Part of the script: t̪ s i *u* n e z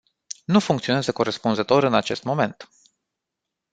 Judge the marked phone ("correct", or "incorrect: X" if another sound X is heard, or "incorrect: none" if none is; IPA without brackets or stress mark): incorrect: o